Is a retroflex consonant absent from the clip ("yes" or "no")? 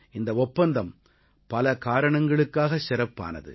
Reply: no